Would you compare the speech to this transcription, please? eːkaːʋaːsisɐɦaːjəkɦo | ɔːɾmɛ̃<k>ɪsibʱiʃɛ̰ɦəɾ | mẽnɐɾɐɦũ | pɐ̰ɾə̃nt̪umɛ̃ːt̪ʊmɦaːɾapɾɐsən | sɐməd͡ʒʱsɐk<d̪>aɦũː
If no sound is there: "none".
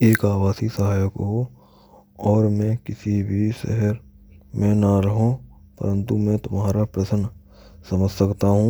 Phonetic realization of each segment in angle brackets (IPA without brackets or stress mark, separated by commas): k, t̪